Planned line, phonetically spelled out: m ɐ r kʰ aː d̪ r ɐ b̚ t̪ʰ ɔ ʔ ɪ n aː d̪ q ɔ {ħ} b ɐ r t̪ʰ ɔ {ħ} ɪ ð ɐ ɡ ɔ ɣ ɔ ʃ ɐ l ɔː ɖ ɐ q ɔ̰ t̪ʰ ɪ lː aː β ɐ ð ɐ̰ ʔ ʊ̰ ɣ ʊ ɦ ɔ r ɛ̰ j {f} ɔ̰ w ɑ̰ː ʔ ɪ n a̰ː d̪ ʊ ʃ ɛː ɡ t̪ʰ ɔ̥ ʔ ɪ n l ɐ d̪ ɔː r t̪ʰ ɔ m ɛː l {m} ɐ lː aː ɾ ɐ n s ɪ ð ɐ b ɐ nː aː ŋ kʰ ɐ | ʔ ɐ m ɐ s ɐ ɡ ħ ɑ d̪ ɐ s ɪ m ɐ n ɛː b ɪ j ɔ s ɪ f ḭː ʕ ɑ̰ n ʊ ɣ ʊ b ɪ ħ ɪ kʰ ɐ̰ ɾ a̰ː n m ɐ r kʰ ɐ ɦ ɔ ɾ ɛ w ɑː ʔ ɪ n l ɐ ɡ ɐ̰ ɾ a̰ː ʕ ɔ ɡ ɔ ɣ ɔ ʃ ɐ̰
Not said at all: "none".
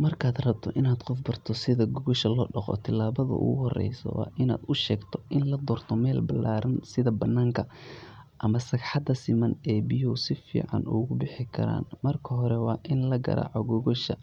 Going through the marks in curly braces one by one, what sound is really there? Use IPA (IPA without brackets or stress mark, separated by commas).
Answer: f, s, s, b